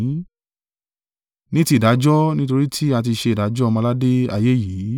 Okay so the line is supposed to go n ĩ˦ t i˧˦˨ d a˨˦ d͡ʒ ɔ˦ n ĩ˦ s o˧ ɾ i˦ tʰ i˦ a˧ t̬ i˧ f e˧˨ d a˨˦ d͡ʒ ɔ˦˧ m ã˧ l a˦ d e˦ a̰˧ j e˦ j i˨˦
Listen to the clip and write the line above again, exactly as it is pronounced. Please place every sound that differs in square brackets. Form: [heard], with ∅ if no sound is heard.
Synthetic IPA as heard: n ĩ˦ t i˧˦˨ d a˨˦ d͡ʒ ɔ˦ n ĩ˦ [t] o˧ ɾ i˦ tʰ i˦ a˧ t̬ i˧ [ʃ] e˧˨ d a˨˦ d͡ʒ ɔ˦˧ m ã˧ l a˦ d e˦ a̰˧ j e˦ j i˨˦